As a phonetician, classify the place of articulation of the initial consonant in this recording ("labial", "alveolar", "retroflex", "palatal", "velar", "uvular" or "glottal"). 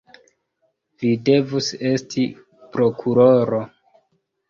labial